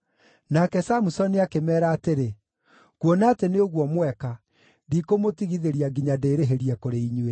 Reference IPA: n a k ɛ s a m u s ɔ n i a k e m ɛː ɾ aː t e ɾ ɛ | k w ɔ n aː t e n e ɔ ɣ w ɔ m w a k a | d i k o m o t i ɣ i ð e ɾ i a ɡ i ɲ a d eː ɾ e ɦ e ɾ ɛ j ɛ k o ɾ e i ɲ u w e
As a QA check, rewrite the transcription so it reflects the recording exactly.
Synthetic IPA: n a k ɛ s a m u s ɔ n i a k e m ɛː ɾ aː t e ɾ e | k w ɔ n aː t e n e o ɣ w ɔ m w ɛ k a | d i k o m o t i ɣ i ð e ɾ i a ɡ i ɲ a d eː ɾ e ɦ e ɾ i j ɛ k o ɾ e i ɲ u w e